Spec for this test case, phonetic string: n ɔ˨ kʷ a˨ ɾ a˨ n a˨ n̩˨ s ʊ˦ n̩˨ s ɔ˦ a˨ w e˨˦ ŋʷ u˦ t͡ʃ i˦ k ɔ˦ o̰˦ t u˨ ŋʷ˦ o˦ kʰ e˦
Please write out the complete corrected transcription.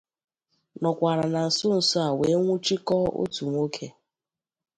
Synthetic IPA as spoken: n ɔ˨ kʷ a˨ ɾ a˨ n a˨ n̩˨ s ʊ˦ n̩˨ s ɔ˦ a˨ w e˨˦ ŋʷ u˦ t͡ʃ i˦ k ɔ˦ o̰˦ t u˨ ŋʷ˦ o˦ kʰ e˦